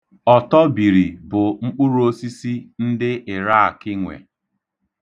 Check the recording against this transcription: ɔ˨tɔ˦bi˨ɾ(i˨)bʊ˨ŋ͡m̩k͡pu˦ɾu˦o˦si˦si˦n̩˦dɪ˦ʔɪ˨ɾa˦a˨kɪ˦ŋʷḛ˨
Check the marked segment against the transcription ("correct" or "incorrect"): correct